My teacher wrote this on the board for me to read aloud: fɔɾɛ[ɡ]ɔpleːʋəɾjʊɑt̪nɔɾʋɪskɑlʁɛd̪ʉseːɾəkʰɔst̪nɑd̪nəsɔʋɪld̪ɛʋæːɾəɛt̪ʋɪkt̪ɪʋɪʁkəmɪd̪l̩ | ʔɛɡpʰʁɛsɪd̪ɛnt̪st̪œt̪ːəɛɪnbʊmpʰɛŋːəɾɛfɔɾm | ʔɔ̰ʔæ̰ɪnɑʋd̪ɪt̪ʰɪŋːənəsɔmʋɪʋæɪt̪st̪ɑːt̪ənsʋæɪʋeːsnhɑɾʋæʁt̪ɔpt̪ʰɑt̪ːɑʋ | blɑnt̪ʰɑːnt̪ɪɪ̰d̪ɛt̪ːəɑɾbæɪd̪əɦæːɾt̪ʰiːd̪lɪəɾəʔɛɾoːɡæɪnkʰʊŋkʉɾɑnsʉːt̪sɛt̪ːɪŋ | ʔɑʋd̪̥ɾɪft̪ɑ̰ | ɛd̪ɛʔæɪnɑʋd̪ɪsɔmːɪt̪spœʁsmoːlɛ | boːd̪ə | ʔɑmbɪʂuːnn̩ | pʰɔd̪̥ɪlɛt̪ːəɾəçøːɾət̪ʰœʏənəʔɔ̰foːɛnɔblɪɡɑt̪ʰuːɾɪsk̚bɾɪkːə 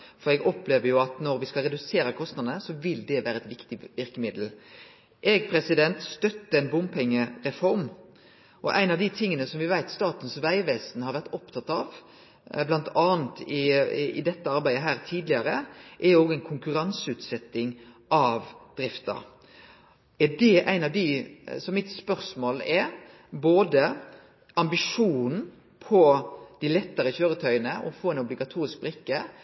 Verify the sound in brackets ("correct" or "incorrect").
correct